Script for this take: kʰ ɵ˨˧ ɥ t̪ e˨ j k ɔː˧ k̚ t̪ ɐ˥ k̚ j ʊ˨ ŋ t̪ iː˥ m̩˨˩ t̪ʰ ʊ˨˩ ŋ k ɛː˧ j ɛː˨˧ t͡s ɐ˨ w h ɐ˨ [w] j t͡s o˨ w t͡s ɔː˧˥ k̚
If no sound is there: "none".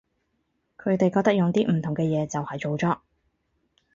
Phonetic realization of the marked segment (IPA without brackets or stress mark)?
none